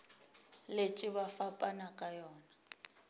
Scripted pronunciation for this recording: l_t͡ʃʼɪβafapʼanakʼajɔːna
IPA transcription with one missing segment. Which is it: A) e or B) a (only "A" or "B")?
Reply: A